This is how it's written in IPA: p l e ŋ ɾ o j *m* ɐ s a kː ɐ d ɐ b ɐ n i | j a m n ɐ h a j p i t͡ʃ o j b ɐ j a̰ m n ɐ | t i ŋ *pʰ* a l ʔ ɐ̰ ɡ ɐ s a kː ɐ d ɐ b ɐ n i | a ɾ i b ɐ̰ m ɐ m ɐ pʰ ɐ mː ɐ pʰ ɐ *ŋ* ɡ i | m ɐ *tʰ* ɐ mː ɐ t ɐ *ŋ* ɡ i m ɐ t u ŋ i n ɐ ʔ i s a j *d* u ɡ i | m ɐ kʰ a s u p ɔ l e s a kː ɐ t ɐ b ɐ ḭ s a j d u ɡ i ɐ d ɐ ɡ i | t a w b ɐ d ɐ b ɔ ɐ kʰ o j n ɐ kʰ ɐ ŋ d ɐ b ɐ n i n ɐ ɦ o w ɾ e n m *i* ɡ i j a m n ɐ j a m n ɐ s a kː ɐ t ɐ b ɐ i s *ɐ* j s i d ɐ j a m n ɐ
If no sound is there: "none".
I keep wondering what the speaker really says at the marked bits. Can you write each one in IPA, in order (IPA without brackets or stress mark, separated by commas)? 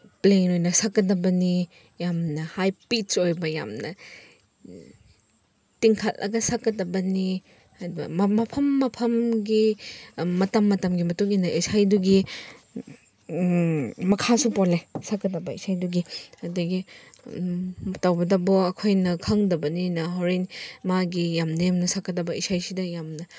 n, kʰ, m, t, m, d, a, a